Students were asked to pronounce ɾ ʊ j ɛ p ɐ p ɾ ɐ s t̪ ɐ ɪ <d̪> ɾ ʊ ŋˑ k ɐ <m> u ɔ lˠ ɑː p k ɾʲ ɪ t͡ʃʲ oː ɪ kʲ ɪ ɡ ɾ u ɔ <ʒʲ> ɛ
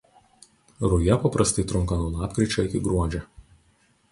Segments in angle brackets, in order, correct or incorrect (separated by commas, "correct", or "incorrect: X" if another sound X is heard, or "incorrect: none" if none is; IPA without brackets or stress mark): incorrect: t̪, incorrect: n, incorrect: d͡ʒʲ